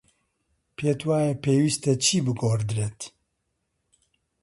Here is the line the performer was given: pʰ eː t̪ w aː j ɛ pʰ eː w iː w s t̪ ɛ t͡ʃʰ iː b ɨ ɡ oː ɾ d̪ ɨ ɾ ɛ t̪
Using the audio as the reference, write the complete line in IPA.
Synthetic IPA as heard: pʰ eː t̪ w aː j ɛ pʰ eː w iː s t̪ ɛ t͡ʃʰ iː b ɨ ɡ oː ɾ d̪ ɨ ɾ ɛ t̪